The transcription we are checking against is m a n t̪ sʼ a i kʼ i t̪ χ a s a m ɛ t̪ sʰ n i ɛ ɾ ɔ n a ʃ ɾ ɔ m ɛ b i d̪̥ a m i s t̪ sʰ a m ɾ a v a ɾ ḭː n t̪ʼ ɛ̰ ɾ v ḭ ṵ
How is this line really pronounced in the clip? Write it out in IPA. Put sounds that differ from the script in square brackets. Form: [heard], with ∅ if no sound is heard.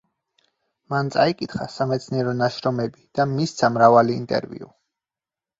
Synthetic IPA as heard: m a n t̪ sʼ a i kʼ i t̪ χ a s a m ɛ t̪ sʰ n i ɛ ɾ ɔ n a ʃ ɾ ɔ m ɛ b i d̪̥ a m i s t̪ sʰ a m ɾ a v a [l] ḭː n t̪ʼ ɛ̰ ɾ v ḭ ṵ